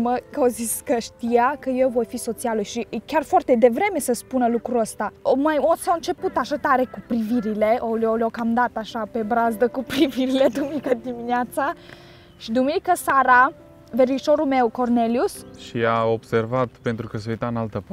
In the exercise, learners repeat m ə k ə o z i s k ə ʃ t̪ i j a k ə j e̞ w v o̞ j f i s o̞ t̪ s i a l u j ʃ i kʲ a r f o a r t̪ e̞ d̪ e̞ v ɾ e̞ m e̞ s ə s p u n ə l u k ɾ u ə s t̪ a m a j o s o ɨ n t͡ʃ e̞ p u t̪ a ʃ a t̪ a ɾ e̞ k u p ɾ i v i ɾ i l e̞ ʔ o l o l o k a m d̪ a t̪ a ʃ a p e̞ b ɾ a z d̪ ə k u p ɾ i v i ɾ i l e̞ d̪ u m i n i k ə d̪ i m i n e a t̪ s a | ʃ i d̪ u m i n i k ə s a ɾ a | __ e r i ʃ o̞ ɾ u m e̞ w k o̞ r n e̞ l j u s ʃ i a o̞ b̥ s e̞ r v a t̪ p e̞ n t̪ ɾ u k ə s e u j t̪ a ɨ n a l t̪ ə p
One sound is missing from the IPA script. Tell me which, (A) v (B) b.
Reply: A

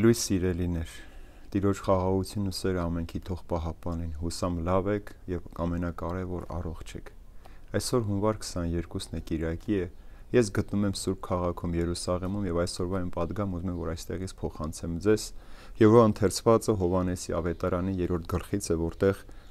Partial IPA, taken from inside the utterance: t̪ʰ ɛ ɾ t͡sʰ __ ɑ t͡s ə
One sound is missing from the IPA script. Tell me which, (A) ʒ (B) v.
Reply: B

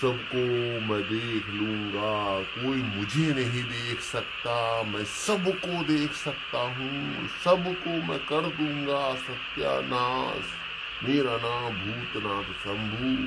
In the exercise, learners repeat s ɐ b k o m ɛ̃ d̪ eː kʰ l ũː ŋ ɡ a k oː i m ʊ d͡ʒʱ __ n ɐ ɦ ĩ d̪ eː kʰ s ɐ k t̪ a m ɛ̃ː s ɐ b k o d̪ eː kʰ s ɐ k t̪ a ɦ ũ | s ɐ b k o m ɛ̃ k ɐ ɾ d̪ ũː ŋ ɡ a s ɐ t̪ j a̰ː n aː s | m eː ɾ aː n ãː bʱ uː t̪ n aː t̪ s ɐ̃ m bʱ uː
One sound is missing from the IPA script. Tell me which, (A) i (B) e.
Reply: B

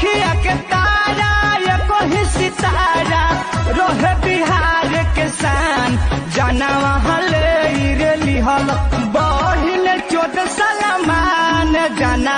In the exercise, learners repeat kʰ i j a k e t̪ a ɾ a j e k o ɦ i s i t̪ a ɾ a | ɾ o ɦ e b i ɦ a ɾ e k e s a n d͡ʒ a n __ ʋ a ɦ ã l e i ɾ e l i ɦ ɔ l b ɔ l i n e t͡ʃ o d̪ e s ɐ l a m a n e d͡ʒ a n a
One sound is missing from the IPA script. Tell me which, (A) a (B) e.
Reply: A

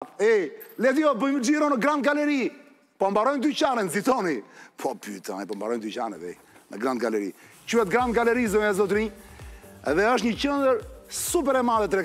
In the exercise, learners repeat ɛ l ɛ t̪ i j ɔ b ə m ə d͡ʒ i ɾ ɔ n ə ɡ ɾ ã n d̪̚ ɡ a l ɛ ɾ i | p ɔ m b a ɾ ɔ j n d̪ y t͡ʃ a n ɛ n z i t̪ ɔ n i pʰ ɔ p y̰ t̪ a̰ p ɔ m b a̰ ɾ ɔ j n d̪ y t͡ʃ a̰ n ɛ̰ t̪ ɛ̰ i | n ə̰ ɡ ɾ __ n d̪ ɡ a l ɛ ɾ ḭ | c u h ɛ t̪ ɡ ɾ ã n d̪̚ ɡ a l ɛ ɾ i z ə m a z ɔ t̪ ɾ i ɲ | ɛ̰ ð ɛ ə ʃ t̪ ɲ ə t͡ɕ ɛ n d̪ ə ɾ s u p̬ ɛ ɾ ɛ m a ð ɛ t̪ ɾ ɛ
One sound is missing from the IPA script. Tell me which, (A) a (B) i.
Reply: A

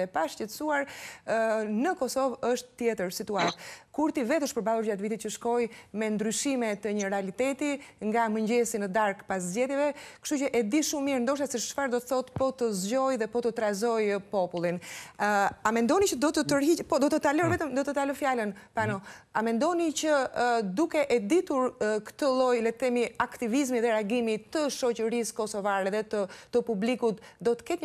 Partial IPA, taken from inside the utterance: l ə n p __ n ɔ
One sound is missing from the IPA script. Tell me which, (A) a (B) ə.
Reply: A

